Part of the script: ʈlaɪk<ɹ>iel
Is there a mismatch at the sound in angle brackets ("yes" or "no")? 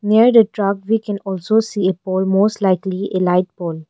yes